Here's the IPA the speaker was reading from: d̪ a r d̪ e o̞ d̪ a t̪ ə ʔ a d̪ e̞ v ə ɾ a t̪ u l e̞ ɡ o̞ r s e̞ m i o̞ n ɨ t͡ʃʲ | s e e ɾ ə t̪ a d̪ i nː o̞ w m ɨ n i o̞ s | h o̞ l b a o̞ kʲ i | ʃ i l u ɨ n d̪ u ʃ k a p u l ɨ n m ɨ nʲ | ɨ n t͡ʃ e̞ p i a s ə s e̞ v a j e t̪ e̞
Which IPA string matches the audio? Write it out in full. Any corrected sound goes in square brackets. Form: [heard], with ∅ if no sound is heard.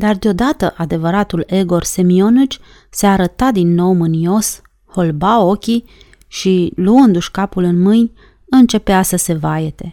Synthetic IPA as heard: d̪ a r d̪ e o̞ d̪ a t̪ ə ʔ a d̪ e̞ v ə ɾ a t̪ u l e̞ ɡ o̞ r s e̞ m i o̞ n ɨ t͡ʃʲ | s e [a] ɾ ə t̪ a d̪ i nː o̞ w m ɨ n i o̞ s | h o̞ l b a o̞ kʲ i | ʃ i l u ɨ n d̪ u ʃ k a p u l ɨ n m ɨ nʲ | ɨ n t͡ʃ e̞ p [e] a s ə s e̞ v a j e t̪ e̞